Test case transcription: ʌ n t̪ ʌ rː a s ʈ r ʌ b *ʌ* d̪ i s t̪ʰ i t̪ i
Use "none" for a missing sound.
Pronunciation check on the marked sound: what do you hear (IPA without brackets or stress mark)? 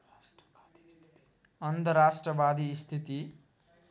a